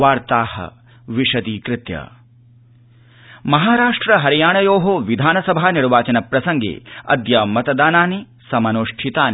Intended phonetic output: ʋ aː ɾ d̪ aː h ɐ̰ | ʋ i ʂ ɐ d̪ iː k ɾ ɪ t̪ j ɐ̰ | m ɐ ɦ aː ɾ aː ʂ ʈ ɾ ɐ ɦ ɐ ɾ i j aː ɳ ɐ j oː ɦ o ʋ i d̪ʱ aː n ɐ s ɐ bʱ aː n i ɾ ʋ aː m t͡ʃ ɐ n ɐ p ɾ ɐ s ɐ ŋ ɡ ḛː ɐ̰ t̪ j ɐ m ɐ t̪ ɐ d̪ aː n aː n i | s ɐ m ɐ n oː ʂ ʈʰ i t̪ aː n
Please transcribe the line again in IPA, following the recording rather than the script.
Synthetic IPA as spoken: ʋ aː ɾ t̪ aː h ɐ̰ | ʋ i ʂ ɐ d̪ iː k ɾ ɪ t̪ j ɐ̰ | m ɐ ɦ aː ɾ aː ʂ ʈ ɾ ɐ ɦ ɐ ɾ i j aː ɳ ɐ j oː ɦ o ʋ i d̪ʱ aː n ɐ s ɐ bʱ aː n i ɾ ʋ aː t͡ʃ ɐ n ɐ p ɾ ɐ s ɐ ŋ ɡ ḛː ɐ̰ d̪ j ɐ m ɐ t̪ ɐ d̪ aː n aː n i | s ɐ m ɐ n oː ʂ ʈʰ i t̪ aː n